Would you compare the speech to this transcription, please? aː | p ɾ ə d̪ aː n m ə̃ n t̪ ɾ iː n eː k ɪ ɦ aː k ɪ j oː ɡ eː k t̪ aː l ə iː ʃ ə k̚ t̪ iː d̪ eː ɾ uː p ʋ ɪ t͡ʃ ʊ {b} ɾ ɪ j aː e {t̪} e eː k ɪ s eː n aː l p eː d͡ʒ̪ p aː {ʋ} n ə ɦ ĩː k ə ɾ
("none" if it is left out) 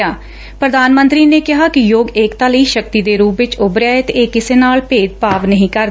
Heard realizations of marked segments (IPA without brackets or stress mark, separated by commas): b, t̪, ʋ